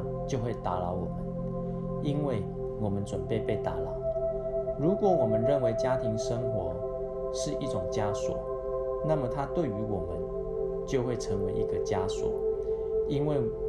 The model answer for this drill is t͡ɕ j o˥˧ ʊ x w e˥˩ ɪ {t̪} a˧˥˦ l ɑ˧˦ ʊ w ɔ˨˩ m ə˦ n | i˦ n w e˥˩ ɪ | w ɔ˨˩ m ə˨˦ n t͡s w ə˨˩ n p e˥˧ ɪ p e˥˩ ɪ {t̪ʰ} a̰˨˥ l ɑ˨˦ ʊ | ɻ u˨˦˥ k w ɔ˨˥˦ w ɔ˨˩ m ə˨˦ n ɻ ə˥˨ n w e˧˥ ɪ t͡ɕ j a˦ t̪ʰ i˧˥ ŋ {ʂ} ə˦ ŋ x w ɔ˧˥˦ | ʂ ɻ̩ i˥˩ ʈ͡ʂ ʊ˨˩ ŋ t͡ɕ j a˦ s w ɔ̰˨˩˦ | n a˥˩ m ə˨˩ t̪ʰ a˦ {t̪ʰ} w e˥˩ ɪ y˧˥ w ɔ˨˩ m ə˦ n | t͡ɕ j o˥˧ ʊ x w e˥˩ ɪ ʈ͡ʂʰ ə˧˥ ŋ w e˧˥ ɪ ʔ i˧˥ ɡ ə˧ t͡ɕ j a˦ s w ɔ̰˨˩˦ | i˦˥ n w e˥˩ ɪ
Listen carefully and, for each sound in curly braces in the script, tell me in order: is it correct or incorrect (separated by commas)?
correct, incorrect, correct, incorrect